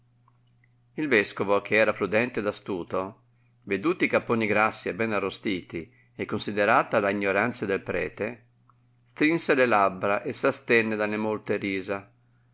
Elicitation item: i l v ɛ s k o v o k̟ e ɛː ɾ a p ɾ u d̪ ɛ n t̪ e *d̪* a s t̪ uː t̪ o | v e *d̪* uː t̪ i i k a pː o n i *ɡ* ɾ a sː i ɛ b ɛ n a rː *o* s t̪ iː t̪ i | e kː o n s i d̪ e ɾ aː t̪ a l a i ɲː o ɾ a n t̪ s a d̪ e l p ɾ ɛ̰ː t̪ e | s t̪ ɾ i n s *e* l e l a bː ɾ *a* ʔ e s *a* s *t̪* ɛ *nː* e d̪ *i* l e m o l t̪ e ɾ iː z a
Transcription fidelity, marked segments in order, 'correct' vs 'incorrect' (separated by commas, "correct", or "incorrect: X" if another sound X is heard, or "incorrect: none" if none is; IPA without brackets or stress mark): correct, correct, correct, correct, correct, correct, correct, correct, correct, incorrect: a